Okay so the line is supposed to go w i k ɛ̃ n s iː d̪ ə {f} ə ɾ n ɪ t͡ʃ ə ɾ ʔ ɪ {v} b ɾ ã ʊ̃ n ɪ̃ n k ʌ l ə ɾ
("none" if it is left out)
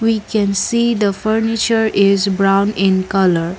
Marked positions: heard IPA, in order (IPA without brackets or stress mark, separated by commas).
f, z